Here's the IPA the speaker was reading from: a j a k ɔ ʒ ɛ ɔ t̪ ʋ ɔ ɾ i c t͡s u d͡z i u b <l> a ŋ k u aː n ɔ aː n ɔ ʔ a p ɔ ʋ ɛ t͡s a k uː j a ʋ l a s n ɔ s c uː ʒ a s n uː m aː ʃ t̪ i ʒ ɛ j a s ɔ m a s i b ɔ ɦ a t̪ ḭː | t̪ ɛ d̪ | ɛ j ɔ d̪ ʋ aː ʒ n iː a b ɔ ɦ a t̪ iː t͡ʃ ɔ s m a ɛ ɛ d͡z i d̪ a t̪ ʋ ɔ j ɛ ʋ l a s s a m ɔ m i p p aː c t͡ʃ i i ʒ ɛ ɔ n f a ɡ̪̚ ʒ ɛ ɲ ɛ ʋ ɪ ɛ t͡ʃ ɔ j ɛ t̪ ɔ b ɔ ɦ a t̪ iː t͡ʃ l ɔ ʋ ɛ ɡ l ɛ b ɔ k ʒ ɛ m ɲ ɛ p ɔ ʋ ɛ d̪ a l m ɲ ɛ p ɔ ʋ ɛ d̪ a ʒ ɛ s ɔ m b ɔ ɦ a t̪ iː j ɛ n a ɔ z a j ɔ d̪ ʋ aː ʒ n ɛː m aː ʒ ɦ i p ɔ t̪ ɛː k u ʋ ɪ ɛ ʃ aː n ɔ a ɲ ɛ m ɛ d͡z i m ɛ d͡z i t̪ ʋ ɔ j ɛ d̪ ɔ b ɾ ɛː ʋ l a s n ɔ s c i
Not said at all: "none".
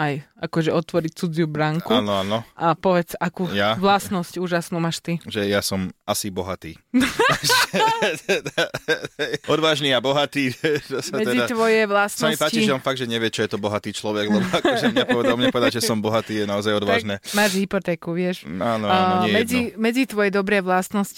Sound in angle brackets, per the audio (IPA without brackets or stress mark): ɾ